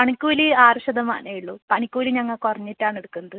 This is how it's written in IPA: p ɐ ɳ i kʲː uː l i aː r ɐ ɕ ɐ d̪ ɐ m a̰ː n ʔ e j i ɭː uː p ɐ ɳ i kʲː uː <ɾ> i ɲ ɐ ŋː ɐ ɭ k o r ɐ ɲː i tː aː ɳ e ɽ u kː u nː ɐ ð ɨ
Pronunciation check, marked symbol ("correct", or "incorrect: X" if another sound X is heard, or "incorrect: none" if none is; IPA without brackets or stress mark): incorrect: l